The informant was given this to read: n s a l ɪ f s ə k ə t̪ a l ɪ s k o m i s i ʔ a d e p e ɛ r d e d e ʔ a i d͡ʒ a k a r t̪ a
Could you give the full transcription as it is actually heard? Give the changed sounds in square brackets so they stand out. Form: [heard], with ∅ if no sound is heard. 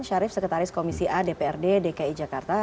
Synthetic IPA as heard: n [ʃ] a [ɾ] ɪ f s ə k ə t̪ a [ɾ] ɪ s k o m i s i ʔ a d e p e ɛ r d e d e [k] a i d͡ʒ a k a r t̪ a